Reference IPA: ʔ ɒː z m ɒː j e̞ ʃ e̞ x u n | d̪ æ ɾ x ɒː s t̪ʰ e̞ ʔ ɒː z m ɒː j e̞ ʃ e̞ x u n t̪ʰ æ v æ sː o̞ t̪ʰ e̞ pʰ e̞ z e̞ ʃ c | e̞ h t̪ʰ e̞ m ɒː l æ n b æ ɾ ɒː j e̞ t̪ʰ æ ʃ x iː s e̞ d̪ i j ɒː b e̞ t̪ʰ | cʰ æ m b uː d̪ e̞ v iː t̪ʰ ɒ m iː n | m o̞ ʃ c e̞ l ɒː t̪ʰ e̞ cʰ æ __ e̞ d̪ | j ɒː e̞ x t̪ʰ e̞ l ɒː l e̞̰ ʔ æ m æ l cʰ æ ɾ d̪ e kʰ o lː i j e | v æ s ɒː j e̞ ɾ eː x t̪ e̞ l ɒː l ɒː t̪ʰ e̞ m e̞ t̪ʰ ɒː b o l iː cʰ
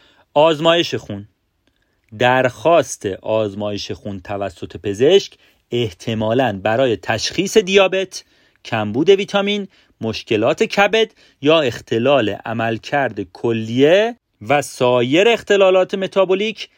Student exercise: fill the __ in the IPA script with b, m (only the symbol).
b